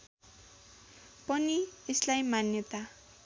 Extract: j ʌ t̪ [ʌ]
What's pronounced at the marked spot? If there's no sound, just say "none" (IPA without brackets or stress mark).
a